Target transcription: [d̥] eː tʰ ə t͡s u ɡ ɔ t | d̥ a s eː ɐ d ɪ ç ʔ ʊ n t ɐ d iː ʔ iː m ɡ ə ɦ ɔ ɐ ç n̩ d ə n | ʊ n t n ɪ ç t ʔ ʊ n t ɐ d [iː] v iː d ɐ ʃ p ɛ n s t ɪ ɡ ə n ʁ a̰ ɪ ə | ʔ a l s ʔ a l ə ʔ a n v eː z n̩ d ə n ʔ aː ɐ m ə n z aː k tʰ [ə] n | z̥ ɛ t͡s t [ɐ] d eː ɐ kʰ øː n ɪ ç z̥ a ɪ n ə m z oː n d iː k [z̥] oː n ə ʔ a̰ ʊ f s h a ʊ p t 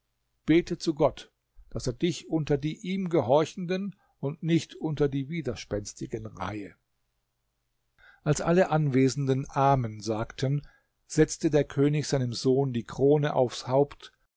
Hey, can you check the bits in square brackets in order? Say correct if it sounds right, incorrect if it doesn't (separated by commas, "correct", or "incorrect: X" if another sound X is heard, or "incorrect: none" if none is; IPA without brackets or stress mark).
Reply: incorrect: b̥, correct, correct, incorrect: ə, incorrect: ʁ̥